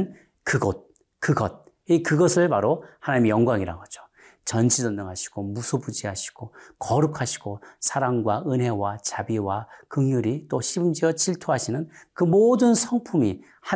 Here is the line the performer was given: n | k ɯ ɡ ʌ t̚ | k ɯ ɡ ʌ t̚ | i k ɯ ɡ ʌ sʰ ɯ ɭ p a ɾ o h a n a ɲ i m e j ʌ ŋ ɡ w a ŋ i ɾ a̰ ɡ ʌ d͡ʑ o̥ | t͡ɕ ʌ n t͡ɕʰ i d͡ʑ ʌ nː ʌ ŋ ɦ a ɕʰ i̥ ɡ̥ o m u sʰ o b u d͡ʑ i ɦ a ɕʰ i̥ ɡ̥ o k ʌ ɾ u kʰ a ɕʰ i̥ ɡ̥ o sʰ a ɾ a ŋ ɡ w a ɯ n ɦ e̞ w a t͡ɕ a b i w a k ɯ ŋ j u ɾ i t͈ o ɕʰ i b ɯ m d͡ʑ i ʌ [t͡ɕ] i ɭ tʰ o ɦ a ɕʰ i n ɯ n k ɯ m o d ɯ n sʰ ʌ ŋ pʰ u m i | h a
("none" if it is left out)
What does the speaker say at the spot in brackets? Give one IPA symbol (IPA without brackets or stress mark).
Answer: t͡ɕ